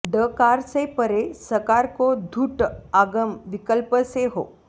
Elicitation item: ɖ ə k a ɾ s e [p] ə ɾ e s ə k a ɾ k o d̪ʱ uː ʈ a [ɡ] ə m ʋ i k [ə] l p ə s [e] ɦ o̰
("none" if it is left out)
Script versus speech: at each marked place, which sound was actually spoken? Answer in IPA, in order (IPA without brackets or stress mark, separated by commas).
p, ɡ, ə, e